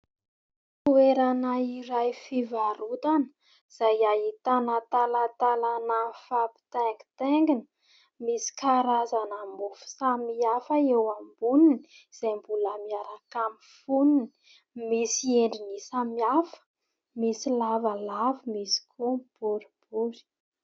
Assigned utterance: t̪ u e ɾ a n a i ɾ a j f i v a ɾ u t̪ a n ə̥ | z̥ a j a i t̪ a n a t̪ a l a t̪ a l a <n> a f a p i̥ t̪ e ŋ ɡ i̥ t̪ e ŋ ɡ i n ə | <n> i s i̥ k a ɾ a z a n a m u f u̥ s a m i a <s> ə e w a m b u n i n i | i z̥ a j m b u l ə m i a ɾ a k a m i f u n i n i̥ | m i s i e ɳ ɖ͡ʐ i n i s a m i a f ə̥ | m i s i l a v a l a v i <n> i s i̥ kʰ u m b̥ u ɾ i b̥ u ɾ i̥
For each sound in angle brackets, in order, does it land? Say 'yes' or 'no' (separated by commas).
yes, no, no, no